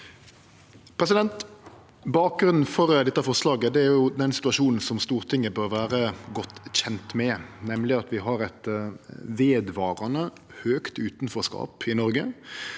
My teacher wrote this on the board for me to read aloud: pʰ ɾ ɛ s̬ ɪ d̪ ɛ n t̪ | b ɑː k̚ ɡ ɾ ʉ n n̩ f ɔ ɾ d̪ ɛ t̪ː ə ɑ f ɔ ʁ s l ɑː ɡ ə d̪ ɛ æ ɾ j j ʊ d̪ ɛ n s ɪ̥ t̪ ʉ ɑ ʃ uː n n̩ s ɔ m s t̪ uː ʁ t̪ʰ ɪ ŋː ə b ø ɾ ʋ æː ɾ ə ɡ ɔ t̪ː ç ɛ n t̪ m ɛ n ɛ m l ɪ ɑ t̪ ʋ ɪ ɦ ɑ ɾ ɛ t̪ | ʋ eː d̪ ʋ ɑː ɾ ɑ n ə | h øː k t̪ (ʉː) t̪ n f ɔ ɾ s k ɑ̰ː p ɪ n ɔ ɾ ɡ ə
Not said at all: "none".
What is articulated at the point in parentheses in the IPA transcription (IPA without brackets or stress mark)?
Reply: ʉː